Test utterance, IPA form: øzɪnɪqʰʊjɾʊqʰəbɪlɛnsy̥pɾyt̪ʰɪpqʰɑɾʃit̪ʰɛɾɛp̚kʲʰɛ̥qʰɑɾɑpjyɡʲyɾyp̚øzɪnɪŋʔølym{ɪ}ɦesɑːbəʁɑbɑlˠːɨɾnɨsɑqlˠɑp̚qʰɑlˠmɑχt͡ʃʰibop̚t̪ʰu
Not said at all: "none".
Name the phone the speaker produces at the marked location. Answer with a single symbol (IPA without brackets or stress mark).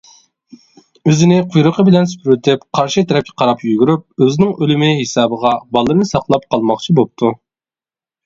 ɪ